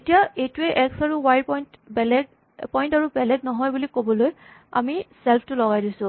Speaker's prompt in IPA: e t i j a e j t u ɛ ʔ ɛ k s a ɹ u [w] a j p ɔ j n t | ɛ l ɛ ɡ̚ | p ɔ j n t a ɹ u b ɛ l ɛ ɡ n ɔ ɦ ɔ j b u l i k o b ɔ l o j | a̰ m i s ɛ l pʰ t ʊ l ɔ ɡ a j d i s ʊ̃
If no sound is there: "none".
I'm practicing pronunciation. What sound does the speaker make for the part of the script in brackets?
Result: w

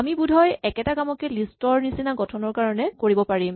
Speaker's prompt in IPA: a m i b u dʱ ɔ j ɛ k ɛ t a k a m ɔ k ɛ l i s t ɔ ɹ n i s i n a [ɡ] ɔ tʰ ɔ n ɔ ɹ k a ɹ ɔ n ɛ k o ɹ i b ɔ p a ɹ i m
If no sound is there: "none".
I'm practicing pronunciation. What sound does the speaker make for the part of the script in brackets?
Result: ɡ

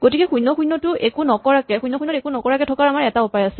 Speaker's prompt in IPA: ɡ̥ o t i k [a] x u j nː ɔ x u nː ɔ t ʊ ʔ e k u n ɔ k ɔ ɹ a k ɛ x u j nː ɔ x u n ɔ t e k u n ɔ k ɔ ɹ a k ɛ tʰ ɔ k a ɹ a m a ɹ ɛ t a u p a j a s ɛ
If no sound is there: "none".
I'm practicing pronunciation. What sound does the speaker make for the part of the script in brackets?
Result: ɛ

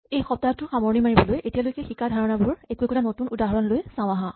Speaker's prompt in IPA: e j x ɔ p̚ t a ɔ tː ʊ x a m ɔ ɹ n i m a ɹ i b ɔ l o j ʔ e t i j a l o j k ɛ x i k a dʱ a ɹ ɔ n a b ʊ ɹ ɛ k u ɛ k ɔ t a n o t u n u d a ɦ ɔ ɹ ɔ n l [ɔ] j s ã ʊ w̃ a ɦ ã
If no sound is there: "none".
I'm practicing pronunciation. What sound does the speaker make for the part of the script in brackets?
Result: o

